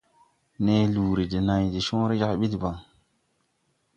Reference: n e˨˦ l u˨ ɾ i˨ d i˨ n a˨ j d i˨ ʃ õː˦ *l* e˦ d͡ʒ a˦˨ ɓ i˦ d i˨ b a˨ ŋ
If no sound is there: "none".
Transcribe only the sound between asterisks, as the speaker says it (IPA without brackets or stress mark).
ɾ